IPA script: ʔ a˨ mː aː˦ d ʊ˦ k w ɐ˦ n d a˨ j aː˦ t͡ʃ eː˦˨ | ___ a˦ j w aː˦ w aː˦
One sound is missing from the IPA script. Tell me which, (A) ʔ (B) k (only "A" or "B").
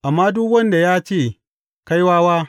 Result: B